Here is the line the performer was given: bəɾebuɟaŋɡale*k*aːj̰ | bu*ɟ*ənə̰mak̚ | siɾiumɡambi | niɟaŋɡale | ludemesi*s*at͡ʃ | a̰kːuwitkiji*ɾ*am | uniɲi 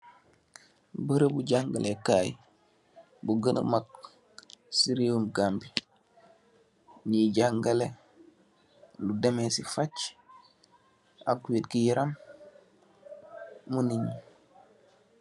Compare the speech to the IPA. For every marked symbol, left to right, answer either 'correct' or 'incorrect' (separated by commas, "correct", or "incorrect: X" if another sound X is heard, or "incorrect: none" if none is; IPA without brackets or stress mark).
correct, incorrect: ɡ, incorrect: f, correct